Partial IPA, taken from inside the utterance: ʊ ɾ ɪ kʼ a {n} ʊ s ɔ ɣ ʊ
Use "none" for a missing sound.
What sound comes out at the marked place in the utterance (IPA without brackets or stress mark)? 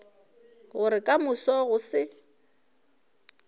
m